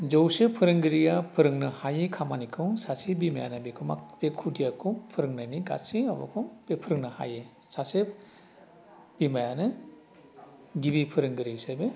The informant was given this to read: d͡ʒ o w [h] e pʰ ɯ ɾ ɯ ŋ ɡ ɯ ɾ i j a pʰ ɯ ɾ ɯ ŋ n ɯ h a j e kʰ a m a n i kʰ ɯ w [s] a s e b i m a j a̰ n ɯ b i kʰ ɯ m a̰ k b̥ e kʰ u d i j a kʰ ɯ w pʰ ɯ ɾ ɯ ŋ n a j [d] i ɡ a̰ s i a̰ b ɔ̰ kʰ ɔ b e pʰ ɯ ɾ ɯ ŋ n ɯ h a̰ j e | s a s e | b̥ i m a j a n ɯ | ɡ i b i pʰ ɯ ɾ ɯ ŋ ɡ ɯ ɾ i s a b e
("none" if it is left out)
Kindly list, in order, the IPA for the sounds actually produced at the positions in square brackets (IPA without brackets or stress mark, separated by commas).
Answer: s, s, n